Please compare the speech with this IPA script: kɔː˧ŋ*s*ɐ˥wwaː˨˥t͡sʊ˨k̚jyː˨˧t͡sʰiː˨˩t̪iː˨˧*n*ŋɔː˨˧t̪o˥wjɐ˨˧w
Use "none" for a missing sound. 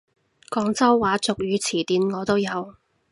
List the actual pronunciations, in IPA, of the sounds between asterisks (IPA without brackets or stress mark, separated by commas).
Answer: t͡s, n